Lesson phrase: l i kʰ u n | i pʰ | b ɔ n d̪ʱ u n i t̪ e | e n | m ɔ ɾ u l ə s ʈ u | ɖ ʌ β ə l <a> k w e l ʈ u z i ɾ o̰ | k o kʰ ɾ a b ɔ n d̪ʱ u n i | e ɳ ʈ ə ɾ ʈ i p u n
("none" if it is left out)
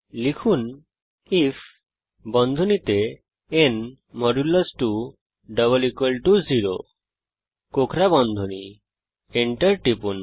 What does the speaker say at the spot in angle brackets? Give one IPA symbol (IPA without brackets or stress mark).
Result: i